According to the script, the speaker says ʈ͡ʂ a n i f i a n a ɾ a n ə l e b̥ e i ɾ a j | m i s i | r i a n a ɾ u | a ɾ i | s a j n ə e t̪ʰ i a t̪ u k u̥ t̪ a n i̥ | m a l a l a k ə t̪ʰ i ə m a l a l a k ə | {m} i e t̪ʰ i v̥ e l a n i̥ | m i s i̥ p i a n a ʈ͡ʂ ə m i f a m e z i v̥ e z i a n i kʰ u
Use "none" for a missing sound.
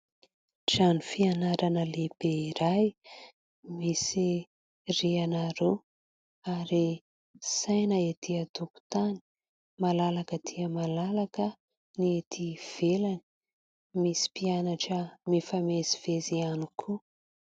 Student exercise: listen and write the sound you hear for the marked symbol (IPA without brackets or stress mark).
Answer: n